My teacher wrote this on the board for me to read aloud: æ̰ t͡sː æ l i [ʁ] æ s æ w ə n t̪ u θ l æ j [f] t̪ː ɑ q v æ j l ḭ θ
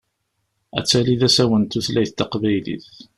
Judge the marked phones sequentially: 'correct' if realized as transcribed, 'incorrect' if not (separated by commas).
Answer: incorrect, incorrect